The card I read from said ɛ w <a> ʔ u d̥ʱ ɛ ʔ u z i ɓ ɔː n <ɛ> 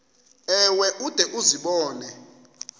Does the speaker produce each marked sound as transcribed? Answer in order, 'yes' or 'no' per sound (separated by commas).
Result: no, yes